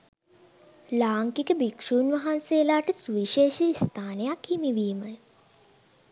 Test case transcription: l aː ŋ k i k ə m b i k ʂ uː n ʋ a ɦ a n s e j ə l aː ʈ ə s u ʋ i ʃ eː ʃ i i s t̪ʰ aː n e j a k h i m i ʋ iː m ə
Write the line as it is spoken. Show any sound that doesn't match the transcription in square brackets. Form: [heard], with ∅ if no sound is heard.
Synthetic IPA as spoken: l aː ŋ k i k ə [∅] b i k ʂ uː n ʋ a ɦ a n s e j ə l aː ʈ ə s u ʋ i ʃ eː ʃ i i s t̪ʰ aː n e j a k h i m i ʋ iː m ə